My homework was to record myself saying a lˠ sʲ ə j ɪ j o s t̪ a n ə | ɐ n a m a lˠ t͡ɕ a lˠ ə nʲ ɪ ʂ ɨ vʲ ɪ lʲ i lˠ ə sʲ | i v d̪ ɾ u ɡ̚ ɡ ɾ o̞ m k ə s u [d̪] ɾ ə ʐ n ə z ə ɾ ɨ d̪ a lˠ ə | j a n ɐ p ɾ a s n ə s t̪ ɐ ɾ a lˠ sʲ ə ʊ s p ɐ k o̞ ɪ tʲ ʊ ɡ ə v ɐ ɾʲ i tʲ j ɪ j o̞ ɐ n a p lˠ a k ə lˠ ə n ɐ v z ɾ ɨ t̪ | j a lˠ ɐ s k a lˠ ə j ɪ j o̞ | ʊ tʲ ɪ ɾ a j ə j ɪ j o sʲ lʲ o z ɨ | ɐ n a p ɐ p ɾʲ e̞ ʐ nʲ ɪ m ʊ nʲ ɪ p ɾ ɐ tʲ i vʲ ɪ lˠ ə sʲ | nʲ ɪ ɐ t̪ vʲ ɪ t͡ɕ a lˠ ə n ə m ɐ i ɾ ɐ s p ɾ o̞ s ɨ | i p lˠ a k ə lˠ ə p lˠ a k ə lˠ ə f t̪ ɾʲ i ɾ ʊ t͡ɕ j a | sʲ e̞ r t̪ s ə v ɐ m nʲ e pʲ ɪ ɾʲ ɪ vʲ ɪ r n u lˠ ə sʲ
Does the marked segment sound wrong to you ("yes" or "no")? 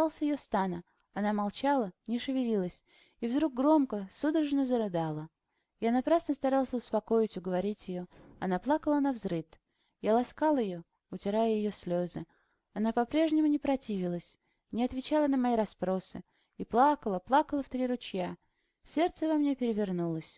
no